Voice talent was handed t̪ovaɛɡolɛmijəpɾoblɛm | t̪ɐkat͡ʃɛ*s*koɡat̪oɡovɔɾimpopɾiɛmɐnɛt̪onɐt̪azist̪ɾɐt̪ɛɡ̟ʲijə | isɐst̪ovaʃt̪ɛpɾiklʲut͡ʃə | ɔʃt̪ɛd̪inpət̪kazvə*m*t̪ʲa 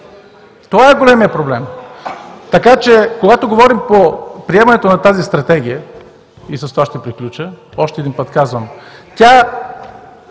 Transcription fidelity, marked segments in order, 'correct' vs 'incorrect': incorrect, correct

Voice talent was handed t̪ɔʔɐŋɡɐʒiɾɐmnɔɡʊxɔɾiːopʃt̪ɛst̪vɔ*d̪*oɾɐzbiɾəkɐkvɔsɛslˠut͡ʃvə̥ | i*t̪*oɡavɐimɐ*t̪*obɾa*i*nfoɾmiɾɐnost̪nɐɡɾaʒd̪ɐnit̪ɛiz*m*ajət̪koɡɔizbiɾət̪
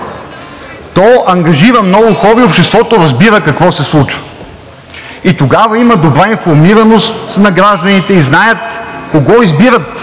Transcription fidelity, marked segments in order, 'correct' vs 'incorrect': incorrect, correct, incorrect, correct, incorrect

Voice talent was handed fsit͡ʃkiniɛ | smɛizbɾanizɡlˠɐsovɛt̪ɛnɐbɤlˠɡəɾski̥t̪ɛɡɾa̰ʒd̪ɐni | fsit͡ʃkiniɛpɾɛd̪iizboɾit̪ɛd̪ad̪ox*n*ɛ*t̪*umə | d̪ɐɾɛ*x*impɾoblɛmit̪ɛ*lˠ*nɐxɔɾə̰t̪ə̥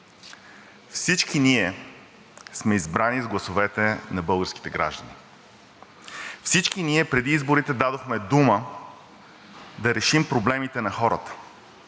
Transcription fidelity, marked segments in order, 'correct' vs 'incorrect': incorrect, incorrect, incorrect, incorrect

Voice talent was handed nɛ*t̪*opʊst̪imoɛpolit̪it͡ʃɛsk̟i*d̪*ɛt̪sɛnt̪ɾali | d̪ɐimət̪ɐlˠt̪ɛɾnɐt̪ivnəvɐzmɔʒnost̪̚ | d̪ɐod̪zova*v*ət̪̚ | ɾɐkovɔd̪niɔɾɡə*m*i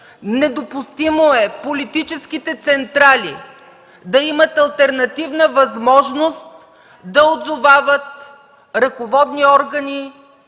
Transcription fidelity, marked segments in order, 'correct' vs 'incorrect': incorrect, incorrect, correct, incorrect

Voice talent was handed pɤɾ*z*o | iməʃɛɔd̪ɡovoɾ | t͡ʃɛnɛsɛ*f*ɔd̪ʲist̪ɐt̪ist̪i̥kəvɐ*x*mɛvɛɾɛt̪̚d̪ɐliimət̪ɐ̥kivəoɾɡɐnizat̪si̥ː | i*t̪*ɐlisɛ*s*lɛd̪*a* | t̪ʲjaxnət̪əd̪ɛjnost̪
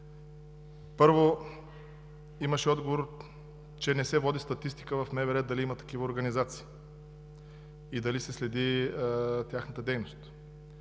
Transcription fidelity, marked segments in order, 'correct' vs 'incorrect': incorrect, incorrect, incorrect, incorrect, correct, incorrect

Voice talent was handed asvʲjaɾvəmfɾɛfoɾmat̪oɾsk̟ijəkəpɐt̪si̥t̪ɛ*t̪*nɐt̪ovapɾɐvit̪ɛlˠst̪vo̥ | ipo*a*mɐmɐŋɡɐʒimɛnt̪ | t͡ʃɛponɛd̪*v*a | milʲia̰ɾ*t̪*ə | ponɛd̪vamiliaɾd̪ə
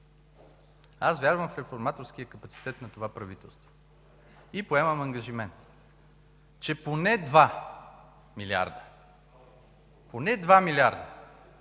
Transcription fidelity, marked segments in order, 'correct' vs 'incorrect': correct, incorrect, correct, incorrect

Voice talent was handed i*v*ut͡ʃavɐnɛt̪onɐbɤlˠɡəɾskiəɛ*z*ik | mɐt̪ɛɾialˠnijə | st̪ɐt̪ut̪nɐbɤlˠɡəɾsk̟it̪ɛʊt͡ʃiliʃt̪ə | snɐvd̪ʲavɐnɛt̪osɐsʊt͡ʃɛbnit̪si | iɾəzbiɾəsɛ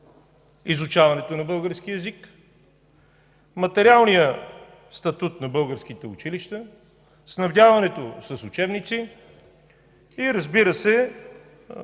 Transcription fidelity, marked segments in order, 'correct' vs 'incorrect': incorrect, correct

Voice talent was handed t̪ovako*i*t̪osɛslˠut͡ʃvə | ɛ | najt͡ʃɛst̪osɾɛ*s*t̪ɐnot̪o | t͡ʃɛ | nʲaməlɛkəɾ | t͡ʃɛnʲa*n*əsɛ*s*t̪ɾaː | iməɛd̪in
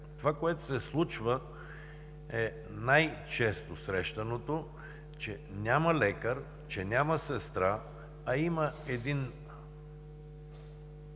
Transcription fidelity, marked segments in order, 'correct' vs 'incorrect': incorrect, incorrect, incorrect, correct

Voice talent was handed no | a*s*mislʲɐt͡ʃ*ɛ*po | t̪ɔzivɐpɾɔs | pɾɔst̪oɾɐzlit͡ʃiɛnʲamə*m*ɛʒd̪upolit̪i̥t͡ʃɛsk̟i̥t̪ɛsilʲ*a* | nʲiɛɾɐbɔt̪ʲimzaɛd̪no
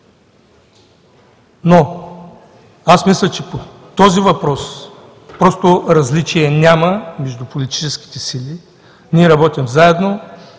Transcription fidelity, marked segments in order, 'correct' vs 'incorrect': correct, correct, correct, incorrect

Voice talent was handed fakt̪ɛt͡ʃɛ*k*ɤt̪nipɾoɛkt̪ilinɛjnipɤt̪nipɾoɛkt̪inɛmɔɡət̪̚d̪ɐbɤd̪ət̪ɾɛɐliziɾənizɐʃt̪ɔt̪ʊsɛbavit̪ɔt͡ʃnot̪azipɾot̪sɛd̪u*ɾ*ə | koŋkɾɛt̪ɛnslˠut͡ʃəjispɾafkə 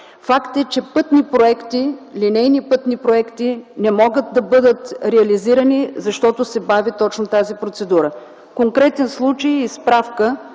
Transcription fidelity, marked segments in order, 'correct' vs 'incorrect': incorrect, correct

